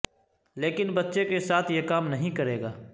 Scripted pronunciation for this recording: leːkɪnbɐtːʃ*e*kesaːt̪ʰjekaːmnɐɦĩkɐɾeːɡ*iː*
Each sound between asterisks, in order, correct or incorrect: correct, incorrect: aː

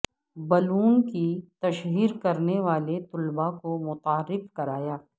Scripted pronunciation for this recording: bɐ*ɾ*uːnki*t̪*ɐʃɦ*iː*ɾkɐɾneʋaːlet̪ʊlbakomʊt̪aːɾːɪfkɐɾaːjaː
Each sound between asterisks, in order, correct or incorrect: incorrect: l, correct, correct

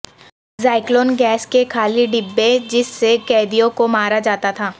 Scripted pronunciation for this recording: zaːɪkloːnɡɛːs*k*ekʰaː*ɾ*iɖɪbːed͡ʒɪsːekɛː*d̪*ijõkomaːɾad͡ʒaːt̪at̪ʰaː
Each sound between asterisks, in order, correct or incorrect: correct, incorrect: l, correct

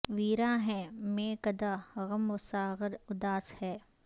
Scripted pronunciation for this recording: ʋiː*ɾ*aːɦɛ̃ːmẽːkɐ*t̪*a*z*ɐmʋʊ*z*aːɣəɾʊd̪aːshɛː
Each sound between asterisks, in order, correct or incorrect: correct, incorrect: d̪, incorrect: ɣ, incorrect: s

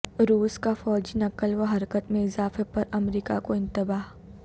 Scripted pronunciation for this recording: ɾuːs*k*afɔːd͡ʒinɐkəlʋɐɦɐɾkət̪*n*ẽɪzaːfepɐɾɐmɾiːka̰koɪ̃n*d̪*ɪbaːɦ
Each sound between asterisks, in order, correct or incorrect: correct, incorrect: m, incorrect: t̪

